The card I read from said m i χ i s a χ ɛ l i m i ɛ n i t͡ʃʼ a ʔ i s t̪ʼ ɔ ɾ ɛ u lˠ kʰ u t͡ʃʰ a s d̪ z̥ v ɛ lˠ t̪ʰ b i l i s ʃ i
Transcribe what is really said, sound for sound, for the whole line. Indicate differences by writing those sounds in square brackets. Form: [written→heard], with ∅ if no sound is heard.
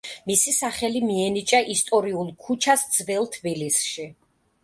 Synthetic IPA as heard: m i [χ→s] i s a χ ɛ l i m i ɛ n i t͡ʃʼ a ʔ i s t̪ʼ ɔ ɾ [ɛ→i] u lˠ kʰ u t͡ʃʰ a s d̪ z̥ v ɛ lˠ t̪ʰ b i l i s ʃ i